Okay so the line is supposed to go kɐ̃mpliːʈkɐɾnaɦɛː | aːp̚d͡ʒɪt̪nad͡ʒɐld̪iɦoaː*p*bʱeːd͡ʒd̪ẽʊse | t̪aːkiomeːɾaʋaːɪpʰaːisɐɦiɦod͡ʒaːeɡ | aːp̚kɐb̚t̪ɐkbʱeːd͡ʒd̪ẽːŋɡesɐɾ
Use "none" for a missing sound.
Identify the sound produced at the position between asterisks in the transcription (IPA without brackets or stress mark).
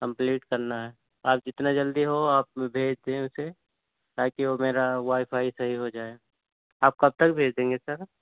p